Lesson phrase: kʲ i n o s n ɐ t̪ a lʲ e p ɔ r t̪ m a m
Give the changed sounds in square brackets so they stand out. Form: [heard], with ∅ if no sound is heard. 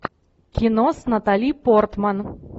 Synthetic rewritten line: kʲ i n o s n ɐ t̪ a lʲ [i] p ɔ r t̪ m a [n]